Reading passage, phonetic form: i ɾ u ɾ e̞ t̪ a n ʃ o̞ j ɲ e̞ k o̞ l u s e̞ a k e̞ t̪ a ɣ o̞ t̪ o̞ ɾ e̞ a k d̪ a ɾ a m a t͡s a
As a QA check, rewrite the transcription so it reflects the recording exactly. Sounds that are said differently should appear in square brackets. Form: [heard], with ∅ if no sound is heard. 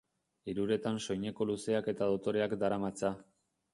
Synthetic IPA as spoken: i ɾ u ɾ e̞ t̪ a n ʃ o̞ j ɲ e̞ k o̞ l u s e̞ a k e̞ t̪ a [ð] o̞ t̪ o̞ ɾ e̞ a k d̪ a ɾ a m a t͡s a